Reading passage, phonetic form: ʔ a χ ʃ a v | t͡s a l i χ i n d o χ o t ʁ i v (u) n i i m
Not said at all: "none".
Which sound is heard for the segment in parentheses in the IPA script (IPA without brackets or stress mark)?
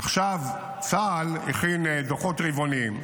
o